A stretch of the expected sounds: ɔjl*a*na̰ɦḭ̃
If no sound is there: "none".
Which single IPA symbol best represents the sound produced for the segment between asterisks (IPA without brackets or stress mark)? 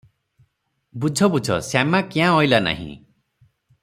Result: a